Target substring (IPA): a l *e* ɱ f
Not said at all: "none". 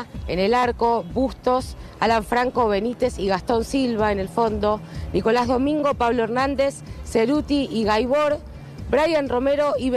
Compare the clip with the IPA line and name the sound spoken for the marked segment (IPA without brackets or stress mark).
a